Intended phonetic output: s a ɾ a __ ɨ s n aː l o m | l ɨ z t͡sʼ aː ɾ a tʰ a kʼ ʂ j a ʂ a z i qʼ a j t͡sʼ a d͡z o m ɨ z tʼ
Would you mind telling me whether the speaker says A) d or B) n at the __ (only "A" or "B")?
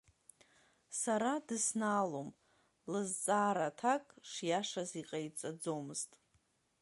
A